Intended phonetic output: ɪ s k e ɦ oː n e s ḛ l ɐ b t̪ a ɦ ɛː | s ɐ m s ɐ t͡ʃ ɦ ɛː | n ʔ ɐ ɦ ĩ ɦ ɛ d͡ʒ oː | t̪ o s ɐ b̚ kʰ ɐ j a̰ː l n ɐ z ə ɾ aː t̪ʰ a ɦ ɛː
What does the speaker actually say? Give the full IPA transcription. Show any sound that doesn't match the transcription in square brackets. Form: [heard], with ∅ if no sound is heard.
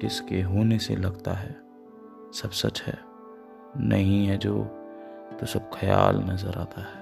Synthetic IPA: ɪ s k e ɦ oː n e s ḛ l ɐ [ɡ] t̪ a ɦ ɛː | s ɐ [b] s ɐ t͡ʃ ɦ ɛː | n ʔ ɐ ɦ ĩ ɦ ɛ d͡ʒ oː | t̪ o s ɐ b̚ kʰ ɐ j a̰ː l n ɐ z ə ɾ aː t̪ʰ a ɦ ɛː